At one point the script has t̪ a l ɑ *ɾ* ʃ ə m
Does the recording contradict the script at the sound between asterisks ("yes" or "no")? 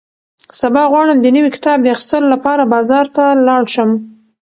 yes